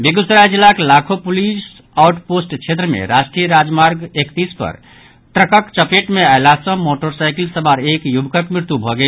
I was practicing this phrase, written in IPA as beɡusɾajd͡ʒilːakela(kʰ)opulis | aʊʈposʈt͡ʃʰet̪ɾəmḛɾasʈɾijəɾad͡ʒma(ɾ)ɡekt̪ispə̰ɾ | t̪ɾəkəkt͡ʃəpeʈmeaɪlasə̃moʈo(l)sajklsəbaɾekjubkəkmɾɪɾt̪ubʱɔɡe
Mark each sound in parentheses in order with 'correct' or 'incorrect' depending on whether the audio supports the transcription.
correct, correct, incorrect: ɾ

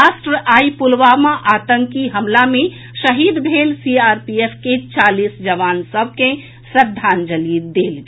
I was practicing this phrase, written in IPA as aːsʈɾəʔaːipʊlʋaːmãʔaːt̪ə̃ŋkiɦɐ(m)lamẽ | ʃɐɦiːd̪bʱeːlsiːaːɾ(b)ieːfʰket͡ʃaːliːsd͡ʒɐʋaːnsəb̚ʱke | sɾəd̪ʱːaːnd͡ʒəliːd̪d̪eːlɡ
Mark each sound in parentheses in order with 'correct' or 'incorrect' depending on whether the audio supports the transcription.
correct, incorrect: p

